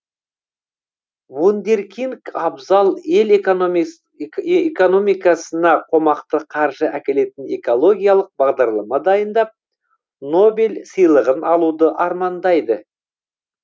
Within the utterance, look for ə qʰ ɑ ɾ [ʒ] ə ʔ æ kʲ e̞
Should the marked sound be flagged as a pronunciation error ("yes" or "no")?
no